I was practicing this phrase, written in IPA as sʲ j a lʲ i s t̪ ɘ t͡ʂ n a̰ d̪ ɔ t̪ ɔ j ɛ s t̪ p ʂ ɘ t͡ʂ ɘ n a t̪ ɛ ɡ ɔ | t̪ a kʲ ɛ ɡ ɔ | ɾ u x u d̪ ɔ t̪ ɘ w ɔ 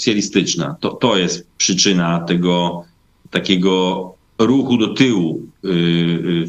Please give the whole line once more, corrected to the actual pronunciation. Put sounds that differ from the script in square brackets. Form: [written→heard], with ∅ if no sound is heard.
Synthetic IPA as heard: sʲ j a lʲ i s t̪ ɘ t͡ʂ n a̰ [d̪→t̪] ɔ t̪ ɔ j ɛ s t̪ p ʂ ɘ t͡ʂ ɘ n a t̪ ɛ ɡ ɔ | t̪ a kʲ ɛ ɡ ɔ | ɾ u x u d̪ ɔ t̪ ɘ w [ɔ→u]